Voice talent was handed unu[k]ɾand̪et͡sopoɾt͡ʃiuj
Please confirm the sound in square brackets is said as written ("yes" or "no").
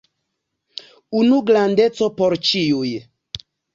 no